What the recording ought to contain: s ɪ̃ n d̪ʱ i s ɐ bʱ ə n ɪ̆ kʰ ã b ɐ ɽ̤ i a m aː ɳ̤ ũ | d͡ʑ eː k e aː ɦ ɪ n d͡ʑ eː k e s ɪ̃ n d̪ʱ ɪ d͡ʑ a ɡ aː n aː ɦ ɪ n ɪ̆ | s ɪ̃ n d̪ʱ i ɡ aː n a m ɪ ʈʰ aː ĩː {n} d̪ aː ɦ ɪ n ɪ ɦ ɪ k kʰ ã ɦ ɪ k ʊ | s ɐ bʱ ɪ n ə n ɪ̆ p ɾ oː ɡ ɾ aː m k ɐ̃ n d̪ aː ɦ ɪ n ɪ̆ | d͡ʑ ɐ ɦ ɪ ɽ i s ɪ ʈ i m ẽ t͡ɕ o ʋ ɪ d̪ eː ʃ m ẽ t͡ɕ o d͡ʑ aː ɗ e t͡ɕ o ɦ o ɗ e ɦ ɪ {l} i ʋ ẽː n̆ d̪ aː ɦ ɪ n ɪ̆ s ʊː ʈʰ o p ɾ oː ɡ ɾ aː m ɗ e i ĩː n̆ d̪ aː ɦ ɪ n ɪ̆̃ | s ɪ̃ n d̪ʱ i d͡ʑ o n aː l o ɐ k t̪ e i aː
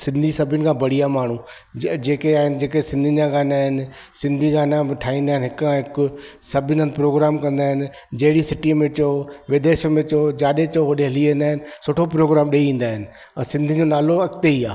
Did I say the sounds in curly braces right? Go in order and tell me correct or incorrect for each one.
correct, correct

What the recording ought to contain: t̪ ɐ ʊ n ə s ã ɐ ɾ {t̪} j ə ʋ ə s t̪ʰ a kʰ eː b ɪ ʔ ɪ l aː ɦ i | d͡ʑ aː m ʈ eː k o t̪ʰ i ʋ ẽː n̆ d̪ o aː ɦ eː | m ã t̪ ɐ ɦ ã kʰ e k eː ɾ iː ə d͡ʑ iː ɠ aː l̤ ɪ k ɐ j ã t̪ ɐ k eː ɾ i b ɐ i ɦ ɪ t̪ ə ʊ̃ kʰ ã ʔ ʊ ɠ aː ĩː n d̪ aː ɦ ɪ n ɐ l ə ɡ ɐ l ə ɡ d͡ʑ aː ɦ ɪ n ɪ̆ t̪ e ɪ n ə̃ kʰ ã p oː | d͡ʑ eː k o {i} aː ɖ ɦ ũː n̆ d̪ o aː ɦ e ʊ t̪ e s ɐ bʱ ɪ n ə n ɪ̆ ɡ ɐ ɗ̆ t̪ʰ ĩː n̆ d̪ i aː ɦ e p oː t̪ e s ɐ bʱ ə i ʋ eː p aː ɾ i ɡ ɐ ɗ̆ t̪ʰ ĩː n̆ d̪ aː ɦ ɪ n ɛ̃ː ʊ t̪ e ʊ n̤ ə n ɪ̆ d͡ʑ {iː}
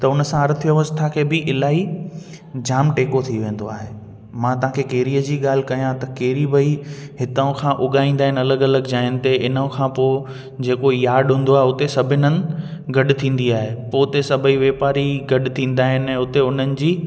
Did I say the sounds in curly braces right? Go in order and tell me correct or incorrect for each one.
incorrect, incorrect, correct

